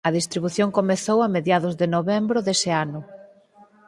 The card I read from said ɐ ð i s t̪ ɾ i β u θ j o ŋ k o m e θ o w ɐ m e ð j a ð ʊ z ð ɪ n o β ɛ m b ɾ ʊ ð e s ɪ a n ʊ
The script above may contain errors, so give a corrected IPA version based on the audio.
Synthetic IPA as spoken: ɐ ð i s t̪ ɾ i β u θ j o ŋ k o m e θ o w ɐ m e ð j a ð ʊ z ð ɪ n o β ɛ m b ɾ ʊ ð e s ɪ a n ʊ

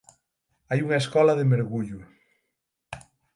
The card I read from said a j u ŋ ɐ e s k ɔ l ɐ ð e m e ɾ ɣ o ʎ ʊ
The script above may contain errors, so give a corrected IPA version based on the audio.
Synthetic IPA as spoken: a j u ŋ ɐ e s k ɔ l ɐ ð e m e ɾ ɣ u ʎ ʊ

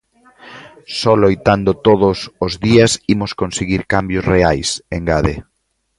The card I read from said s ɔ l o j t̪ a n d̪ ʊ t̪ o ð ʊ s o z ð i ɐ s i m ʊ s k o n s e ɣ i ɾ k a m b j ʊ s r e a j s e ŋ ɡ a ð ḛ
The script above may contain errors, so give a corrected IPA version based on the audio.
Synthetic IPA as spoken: s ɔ l o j t̪ a n d̪ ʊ t̪ o ð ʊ s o z ð i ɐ s i m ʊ s k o n s e ɣ i ɾ k a m b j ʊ s r e a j s e ŋ ɡ a ð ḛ

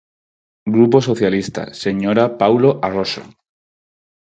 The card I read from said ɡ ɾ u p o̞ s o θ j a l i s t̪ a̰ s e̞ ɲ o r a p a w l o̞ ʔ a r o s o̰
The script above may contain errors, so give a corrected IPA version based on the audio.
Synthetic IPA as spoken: ɡ ɾ u p o̞ s o θ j a l i s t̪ a̰ s e̞ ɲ o ɾ a p a w l o̞ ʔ a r o s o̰

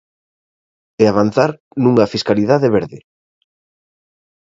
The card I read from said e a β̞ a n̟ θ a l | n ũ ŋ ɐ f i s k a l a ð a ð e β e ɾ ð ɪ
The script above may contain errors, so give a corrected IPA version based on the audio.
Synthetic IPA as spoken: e a β̞ a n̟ θ a ɾ | n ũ ŋ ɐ f i s k a l i ð a ð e β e ɾ ð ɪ

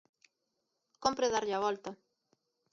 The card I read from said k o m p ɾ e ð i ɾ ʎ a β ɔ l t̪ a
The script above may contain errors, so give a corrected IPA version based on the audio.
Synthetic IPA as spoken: k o m p ɾ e ð a ɾ ʎ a β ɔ l t̪ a

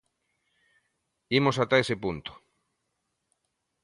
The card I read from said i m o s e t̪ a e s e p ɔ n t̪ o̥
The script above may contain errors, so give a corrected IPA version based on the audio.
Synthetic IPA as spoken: i m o s a t̪ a e s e p u n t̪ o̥

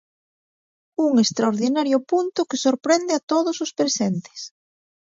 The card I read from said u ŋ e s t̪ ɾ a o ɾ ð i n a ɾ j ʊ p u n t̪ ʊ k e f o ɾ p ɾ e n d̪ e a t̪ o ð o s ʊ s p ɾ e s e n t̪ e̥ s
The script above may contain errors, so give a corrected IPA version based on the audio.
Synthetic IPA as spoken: u ŋ e s t̪ ɾ a o ɾ ð i n a ɾ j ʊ p u n t̪ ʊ k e s o ɾ p ɾ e n d̪ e a t̪ o ð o s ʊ s p ɾ e s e n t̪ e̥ s

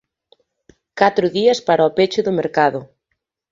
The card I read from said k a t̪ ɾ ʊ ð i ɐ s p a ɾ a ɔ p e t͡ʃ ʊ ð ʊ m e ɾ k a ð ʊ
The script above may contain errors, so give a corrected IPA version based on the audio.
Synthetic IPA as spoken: k a t̪ ɾ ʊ ð i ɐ s p a ɾ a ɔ p e t͡ʃ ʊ ð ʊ m e ɾ k a ð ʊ

